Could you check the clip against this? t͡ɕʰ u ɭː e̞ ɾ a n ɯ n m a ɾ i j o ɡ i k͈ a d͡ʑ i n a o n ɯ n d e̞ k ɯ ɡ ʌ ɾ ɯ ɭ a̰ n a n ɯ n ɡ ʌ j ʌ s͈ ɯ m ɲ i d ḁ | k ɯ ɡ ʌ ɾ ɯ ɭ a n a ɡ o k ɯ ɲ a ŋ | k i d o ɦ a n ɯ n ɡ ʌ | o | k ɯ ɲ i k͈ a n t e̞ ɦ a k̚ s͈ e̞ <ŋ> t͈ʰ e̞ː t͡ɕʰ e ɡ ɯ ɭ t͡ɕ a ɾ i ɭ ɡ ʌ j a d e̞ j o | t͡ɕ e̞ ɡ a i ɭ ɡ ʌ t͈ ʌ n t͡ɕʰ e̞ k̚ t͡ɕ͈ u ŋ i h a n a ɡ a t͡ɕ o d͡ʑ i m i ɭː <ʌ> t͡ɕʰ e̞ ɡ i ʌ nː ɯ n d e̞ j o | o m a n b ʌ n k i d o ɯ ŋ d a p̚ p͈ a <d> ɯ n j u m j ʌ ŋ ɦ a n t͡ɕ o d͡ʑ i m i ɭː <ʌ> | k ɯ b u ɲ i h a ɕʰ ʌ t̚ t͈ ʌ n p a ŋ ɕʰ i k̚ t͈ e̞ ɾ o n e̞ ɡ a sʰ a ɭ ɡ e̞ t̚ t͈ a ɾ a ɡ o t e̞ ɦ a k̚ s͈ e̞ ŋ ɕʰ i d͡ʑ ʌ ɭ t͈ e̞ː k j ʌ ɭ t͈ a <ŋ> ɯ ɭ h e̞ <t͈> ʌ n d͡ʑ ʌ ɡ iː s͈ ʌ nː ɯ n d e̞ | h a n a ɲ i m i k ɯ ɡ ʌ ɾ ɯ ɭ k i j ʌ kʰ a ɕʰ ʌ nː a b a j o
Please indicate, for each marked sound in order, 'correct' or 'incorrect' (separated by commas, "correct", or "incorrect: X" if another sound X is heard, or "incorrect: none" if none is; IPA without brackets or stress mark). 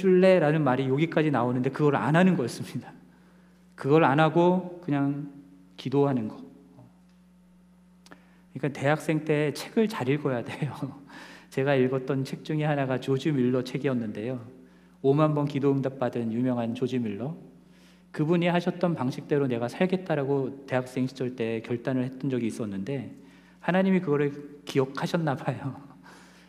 correct, correct, correct, correct, incorrect: n, correct